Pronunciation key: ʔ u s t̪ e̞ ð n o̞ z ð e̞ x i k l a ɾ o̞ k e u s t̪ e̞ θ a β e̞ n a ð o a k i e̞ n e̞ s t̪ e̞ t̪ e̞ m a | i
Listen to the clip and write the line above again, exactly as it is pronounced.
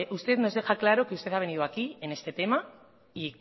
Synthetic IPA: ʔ u s t̪ e̞ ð n o̞ z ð e̞ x a k l a ɾ o̞ k e u s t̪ e̞ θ a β e̞ n i ð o a k i e̞ n e̞ s t̪ e̞ t̪ e̞ m a | i